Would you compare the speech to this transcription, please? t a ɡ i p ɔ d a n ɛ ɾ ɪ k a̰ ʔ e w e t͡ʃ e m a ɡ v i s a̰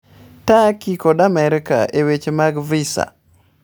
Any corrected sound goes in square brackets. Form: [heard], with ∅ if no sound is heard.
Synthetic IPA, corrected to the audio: t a [k] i [k] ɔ d a [m] ɛ ɾ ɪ k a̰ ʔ e w e t͡ʃ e m a ɡ v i s a̰